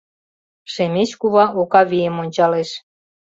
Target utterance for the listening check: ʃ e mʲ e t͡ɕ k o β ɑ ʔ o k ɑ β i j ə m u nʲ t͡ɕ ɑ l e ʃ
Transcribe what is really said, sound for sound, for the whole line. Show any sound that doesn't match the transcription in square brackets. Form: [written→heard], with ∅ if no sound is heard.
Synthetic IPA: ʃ e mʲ e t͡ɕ k [o→u] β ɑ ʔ o k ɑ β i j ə m [u→o] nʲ t͡ɕ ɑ l e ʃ